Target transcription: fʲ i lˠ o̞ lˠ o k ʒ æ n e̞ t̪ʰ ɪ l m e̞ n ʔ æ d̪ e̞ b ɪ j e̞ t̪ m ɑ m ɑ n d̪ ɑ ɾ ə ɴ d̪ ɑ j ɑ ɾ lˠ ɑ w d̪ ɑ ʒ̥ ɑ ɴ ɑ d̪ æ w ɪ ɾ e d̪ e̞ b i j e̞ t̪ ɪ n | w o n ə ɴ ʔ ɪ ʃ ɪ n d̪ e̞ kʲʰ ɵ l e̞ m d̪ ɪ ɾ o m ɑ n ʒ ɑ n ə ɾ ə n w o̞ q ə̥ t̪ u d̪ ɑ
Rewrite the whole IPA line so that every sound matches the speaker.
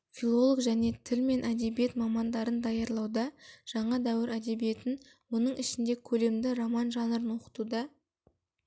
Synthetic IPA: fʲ i lˠ o̞ lˠ o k ʒ æ n e̞ t̪ʰ ɪ l m e̞ n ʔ æ d̪ e̞ b i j e̞ t̪ m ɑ m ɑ n d̪ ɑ ɾ ə n d̪ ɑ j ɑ ɾ lˠ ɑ w d̪ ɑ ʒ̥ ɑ ɴ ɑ d̪ æ w ɪ ɾ æ d̪ e̞ b i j e̞ t̪ ɪ n | w o n ə ɴ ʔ ɪ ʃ ɪ n d̪ e̞ kʲʰ ɵ l e̞ m d̪ ɪ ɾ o m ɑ n ʒ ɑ n ə ɾ ə n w o̞ q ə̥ t̪ u d̪ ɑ